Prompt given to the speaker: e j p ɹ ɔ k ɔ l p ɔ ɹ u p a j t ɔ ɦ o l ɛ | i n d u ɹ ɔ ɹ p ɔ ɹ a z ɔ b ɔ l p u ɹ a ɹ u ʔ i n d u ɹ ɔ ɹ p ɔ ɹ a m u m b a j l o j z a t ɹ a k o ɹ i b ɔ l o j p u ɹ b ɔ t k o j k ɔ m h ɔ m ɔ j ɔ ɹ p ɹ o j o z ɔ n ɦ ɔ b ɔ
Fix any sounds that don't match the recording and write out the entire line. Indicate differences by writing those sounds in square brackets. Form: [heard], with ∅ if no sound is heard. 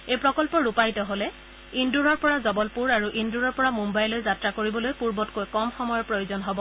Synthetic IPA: e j p ɹ ɔ k ɔ l p ɔ ɹ u p a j t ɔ ɦ o l ɛ | i n d u ɹ ɔ ɹ p ɔ ɹ a z ɔ b ɔ l p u ɹ a ɹ u ʔ i n d u ɹ ɔ ɹ p ɔ ɹ a m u m b a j l o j z a t ɹ a k o ɹ i b ɔ l o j p u ɹ b ɔ t k o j k ɔ m [x] ɔ m ɔ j ɔ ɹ p ɹ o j o z ɔ n ɦ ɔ b ɔ